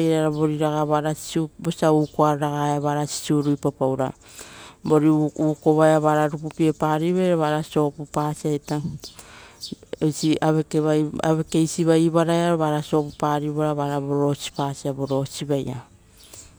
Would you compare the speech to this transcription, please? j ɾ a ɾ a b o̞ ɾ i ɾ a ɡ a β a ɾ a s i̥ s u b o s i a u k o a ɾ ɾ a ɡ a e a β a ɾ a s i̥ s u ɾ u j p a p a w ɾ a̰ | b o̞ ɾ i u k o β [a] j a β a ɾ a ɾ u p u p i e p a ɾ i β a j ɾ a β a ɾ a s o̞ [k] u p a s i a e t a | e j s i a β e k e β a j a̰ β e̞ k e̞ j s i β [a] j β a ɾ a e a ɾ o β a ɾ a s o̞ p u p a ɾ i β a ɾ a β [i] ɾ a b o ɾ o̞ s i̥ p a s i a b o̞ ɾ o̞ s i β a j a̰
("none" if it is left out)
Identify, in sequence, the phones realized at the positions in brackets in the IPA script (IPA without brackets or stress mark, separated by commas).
a, p, a, a